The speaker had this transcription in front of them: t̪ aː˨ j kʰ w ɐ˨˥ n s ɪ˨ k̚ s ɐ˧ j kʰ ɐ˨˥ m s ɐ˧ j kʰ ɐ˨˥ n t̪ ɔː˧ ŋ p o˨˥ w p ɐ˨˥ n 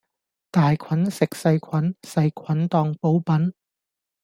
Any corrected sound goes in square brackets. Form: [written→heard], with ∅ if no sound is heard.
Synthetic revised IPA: t̪ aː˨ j kʰ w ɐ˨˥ n s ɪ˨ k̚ s ɐ˧ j kʰ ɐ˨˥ [m→n] s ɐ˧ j kʰ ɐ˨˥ n t̪ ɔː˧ ŋ p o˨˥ w p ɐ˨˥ n